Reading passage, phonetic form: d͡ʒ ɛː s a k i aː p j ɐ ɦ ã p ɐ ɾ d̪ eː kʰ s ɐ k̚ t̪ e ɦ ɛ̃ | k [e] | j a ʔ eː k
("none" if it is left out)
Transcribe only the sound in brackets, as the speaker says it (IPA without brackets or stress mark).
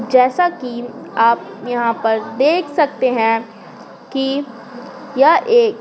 i